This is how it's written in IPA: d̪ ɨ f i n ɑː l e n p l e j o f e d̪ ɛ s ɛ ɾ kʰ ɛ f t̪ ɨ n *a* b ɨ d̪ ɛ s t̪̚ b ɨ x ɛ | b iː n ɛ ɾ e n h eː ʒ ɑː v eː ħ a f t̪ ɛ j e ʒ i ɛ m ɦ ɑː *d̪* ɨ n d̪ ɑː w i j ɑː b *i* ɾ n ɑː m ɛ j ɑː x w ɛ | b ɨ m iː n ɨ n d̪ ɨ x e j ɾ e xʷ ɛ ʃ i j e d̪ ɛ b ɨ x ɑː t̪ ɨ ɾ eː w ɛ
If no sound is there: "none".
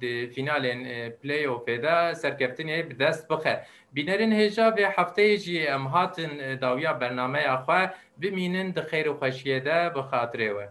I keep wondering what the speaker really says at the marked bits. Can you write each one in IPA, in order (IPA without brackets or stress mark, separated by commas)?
e, t̪, ɛ